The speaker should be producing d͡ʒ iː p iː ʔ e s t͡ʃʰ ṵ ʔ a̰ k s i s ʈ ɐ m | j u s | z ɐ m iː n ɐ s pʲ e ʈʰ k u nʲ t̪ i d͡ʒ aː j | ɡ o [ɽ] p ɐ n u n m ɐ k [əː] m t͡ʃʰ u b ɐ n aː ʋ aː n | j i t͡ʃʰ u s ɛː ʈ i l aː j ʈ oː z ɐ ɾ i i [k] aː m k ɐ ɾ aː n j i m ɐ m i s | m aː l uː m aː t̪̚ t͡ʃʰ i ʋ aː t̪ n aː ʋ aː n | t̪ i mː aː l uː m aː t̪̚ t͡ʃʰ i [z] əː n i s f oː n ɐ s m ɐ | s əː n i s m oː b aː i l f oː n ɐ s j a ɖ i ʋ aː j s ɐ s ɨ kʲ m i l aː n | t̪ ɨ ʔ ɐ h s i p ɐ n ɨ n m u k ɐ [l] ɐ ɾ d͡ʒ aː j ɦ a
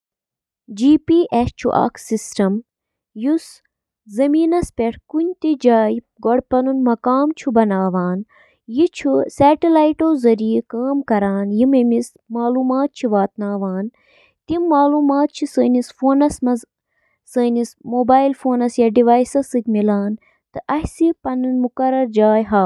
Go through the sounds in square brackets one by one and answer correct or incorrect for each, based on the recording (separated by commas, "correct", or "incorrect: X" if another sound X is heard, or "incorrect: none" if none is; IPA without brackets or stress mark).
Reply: correct, incorrect: aː, correct, incorrect: s, incorrect: ɾ